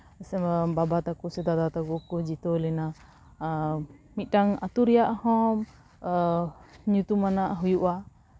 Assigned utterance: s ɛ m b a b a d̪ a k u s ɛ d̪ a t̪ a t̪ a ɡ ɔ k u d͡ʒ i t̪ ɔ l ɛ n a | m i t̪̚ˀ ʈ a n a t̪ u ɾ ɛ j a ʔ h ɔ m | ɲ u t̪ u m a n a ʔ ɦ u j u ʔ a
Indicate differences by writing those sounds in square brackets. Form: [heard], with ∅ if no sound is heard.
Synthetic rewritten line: s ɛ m b a b a [t̪] a k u s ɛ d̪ a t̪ a t̪ a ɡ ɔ k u d͡ʒ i t̪ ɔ l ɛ n a | m i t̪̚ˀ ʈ a [ŋ] a t̪ u ɾ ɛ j a ʔ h ɔ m | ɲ u t̪ u m a n a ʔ ɦ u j u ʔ a